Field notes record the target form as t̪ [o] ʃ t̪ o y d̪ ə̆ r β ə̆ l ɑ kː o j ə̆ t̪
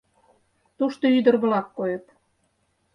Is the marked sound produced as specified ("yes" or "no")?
no